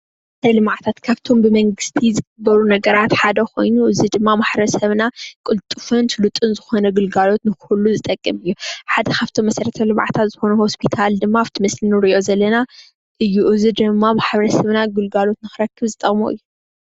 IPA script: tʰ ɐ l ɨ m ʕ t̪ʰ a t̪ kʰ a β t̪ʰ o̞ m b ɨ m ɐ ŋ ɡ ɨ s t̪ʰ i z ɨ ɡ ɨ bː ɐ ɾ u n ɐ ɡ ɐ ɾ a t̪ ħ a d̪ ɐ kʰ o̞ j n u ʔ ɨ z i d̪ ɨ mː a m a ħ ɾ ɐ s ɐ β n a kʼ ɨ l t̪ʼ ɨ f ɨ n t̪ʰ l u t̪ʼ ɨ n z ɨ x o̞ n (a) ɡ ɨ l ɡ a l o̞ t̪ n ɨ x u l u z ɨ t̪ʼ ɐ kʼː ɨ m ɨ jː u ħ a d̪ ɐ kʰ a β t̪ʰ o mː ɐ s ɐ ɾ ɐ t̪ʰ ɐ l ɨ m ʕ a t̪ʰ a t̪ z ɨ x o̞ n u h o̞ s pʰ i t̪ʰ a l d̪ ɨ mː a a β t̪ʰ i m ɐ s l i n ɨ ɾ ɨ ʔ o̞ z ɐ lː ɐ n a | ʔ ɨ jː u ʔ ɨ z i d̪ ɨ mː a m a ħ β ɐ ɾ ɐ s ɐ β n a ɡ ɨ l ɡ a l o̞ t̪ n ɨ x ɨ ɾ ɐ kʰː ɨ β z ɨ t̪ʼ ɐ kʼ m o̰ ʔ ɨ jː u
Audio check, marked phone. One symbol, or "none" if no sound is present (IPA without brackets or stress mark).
ɐ